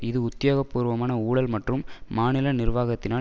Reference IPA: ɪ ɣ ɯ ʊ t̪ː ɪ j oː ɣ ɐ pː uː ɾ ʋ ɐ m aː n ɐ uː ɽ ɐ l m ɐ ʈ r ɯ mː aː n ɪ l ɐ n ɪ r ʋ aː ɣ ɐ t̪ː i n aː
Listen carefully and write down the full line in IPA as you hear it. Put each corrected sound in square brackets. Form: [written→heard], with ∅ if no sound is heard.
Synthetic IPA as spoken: ɪ [ɣ→ð] ɯ ʊ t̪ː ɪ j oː ɣ ɐ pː uː ɾ ʋ ɐ m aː n ɐ uː ɽ ɐ l m ɐ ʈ r ɯ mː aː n ɪ l ɐ n ɪ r ʋ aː ɣ ɐ t̪ː [i→ɪ] n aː

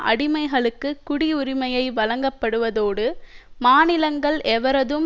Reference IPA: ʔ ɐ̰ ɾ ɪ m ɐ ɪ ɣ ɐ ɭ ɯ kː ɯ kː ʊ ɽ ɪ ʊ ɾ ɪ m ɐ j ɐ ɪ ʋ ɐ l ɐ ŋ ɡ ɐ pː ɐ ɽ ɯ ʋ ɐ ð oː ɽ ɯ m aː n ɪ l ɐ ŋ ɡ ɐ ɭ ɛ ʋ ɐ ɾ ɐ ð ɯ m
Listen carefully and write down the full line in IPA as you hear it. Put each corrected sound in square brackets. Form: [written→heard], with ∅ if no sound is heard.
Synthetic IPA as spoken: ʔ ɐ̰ [ɾ→ɽ] ɪ m ɐ ɪ ɣ ɐ ɭ ɯ kː ɯ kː ʊ ɽ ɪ ʊ ɾ ɪ m ɐ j ɐ ɪ ʋ ɐ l ɐ ŋ ɡ ɐ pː ɐ ɽ ɯ ʋ ɐ ð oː ɽ ɯ m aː n ɪ l ɐ ŋ ɡ ɐ ɭ ɛ ʋ ɐ ɾ ɐ ð ɯ m

